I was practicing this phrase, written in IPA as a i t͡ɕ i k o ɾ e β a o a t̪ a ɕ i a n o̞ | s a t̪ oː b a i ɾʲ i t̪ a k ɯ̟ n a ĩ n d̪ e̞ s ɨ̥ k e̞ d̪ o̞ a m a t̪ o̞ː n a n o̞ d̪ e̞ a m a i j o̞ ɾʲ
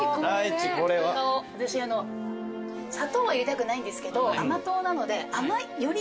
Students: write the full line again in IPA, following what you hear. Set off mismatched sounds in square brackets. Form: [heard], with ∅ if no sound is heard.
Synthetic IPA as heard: a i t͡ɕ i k o ɾ e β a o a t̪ a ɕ i a n o̞ | s a t̪ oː [β] a i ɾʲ i t̪ a k ɯ̟ n a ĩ n d̪ e̞ s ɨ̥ k e̞ d̪ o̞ a m a t̪ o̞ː n a n o̞ d̪ e̞ a m a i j o̞ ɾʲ

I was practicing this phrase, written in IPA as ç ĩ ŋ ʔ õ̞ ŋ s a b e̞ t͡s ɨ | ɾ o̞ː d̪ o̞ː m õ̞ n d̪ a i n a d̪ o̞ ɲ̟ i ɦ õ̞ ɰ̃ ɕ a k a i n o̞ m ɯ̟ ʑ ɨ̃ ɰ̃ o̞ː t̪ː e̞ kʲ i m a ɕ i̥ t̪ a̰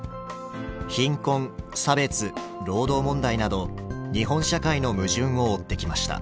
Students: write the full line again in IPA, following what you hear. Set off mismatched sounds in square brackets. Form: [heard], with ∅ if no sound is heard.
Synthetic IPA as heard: ç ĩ ŋ [k] õ̞ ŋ s a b e̞ t͡s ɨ | ɾ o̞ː d̪ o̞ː m õ̞ n d̪ a i n a d̪ o̞ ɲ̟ i ɦ õ̞ ɰ̃ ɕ a k a i n o̞ m ɯ̟ ʑ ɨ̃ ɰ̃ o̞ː t̪ː e̞ kʲ i m a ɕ i̥ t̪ a̰

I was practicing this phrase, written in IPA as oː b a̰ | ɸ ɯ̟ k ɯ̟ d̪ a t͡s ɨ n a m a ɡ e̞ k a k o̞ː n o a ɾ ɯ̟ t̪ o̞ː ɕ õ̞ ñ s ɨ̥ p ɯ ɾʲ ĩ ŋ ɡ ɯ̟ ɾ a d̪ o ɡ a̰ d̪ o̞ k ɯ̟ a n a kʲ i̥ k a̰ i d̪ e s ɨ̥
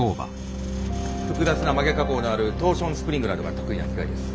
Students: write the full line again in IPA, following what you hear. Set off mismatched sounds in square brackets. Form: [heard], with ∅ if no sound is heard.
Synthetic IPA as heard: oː b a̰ | ɸ ɯ̟ k ɯ̟ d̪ a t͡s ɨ n a m a ɡ e̞ k a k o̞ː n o a ɾ ɯ̟ t̪ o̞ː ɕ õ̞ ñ s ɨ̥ p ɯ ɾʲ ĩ ŋ ɡ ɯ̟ ɾ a d̪ o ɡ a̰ [t̪] o̞ k ɯ̟ [i] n a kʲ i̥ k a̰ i d̪ e s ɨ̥

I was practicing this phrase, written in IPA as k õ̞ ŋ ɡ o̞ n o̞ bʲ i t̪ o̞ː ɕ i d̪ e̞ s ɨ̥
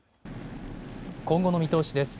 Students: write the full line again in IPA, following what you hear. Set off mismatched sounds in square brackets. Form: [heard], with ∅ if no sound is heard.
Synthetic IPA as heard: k õ̞ ŋ ɡ o̞ n o̞ [mʲ] i t̪ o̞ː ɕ i d̪ e̞ s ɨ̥

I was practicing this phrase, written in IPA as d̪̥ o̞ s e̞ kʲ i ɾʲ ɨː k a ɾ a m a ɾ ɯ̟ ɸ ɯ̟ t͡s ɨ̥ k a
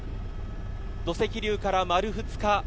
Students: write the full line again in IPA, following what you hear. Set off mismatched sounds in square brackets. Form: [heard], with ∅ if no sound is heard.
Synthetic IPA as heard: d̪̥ o̞ s e̞ kʲ i ɾʲ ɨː k a ɾ a m a ɾ ɯ̟ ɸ ɯ̟ t͡s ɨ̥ k a

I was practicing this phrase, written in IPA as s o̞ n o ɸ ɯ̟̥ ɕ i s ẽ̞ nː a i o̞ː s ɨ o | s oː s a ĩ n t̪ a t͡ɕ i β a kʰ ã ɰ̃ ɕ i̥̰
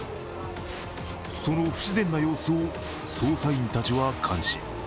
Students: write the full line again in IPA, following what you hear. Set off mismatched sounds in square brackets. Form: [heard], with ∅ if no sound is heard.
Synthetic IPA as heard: s o̞ n o ɸ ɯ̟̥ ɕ i [z] ẽ̞ nː a [j] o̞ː s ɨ o | s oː s a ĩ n t̪ a t͡ɕ i β a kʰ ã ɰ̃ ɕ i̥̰

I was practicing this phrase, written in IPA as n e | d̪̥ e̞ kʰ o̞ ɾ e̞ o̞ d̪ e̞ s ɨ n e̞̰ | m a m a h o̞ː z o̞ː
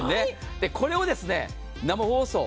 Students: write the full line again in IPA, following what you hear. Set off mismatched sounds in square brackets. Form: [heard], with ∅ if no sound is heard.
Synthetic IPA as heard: n e | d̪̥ e̞ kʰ o̞ ɾ e̞ o̞ d̪ e̞ s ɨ n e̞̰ | [n] a m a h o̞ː [s] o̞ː

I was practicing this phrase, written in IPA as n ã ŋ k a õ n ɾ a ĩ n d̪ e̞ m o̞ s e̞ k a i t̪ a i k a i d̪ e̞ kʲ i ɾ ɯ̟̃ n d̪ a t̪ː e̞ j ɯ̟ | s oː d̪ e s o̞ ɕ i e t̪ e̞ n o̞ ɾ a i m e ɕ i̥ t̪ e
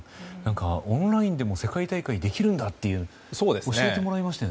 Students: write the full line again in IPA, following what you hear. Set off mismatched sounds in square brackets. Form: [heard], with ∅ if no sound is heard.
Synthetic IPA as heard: n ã ŋ k a õ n ɾ a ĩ n d̪ e̞ m o̞ s e̞ k a i t̪ a i k a i d̪ e̞ kʲ i ɾ ɯ̟̃ n d̪ a t̪ː e̞ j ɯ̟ | s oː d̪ e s o̞ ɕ i e t̪ e̞ [m] o̞ ɾ a i m [a] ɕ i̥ t̪ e

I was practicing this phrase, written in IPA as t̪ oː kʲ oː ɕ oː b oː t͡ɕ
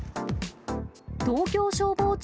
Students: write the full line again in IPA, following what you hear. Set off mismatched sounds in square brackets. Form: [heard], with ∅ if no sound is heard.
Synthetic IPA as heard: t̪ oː kʲ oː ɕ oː b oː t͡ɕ

